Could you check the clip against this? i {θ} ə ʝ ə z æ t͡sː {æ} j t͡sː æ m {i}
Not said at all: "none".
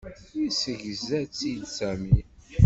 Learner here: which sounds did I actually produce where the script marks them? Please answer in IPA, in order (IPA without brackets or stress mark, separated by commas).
s, i, i